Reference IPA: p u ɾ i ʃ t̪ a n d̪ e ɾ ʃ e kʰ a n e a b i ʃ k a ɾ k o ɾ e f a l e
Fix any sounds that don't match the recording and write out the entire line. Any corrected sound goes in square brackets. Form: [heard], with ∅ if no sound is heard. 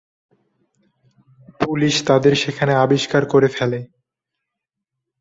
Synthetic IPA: p u [l] i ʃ t̪ a [∅] d̪ e ɾ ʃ e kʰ a n e a b i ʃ k a ɾ k o ɾ e f [ɛ] l e